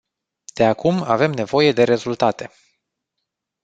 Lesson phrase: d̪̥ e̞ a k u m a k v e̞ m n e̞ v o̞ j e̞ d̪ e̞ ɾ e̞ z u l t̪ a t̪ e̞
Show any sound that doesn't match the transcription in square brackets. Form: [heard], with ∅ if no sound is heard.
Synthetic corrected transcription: d̪̥ e̞ a k u m a [∅] v e̞ m n e̞ v o̞ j e̞ d̪ e̞ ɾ e̞ z u l t̪ a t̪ e̞